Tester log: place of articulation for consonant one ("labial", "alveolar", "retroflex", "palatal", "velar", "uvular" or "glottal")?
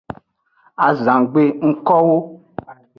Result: alveolar